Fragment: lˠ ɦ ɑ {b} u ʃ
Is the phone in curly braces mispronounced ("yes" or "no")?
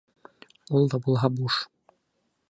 no